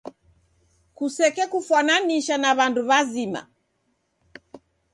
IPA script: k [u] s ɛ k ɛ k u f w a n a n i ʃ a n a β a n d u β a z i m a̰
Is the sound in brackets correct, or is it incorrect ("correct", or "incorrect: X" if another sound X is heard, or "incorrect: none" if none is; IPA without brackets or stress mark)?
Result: correct